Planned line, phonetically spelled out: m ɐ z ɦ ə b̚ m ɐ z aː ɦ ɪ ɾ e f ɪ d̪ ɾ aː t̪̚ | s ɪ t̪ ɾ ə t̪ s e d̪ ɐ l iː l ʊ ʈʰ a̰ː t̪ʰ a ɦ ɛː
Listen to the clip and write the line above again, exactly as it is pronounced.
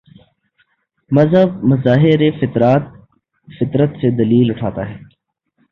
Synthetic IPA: m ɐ z ɦ ə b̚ m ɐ z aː ɦ ɪ ɾ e f ɪ t̪ ɾ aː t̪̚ | f ɪ t̪ ɾ ə t̪ s e d̪ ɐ l iː l ʊ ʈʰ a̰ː t̪ a ɦ ɛː

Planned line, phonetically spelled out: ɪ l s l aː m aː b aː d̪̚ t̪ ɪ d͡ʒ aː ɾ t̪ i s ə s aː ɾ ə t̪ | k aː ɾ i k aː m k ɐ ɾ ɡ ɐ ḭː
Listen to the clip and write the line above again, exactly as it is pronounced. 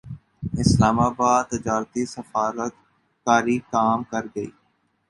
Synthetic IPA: ɪ s l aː m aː b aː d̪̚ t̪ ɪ d͡ʒ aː ɾ t̪ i s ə f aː ɾ ə t̪ | k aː ɾ i k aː m k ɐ ɾ ɡ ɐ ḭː

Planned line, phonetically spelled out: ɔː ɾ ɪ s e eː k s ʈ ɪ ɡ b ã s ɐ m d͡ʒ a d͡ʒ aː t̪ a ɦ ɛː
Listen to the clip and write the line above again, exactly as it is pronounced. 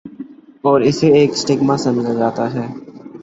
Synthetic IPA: ɔː ɾ ɪ s e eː k s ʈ ɪ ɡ m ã s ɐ m d͡ʒ a d͡ʒ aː t̪ a ɦ ɛː

